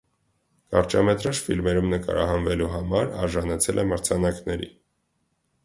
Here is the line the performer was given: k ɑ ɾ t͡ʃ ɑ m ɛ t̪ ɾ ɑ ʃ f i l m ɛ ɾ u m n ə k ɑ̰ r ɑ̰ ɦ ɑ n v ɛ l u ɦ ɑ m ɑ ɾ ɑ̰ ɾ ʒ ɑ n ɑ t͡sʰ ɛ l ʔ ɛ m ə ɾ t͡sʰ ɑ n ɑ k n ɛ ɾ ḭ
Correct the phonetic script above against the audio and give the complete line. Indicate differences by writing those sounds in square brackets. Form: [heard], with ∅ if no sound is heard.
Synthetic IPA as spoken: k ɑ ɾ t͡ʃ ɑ m ɛ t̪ ɾ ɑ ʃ f i l m ɛ ɾ u m n ə k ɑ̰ [ɾ] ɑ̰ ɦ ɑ n v ɛ l u ɦ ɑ m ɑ ɾ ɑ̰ ɾ ʒ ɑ n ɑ t͡sʰ ɛ l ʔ ɛ m ə ɾ t͡sʰ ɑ n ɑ k n ɛ ɾ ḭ